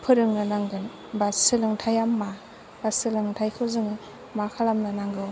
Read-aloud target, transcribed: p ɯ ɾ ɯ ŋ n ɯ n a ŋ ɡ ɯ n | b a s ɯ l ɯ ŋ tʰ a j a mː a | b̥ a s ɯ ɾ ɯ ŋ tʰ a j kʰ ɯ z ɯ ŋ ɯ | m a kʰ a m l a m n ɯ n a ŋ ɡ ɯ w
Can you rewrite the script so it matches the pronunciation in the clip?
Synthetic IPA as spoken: pʰ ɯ ɾ ɯ ŋ n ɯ n a ŋ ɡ ɯ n | b a s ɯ l ɯ ŋ tʰ a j a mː a | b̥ a s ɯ l ɯ ŋ tʰ a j kʰ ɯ z ɯ ŋ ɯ | m a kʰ a l a m n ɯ n a ŋ ɡ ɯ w